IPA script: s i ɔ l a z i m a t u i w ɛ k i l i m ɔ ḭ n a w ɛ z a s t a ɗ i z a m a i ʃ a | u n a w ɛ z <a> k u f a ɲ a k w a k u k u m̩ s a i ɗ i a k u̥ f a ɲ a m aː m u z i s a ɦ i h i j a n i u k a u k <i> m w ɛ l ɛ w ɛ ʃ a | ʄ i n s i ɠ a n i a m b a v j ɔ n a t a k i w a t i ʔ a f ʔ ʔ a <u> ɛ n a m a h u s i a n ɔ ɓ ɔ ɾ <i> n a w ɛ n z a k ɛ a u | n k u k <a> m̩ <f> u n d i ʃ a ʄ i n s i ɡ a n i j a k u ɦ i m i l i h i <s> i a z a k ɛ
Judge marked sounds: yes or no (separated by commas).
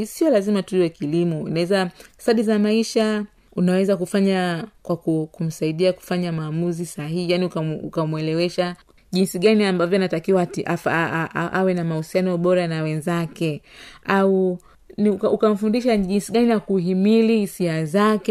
yes, no, no, no, yes, yes, yes